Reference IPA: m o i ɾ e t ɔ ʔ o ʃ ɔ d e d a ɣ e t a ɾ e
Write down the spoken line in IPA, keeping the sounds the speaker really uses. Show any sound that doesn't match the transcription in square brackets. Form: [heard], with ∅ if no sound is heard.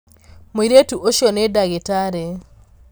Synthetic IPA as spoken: m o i ɾ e t [u] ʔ o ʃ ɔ [n] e d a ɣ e t a ɾ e